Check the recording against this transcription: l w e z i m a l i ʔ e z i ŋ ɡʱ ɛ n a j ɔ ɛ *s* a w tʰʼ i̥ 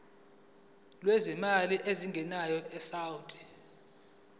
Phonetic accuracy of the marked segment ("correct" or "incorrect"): correct